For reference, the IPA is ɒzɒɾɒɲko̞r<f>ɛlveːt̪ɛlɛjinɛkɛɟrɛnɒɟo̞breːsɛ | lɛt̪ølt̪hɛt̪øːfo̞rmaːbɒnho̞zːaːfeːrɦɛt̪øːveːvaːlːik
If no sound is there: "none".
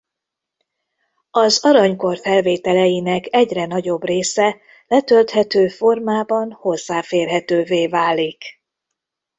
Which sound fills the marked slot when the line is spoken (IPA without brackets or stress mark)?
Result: f